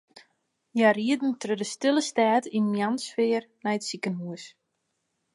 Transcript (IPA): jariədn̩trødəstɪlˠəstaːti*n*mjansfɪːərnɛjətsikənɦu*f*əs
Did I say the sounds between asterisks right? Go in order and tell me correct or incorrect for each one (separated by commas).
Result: correct, incorrect